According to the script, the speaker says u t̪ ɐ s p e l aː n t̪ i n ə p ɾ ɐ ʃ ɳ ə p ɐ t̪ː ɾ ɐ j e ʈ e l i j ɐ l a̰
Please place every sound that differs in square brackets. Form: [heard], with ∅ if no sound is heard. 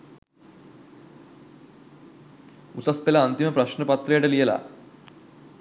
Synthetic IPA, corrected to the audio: u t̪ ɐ s p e l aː n t̪ i [m] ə p ɾ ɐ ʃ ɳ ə p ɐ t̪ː ɾ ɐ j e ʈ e l i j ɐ l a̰